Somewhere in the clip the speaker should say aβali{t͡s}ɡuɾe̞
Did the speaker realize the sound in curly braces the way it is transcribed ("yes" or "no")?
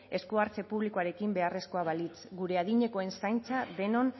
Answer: yes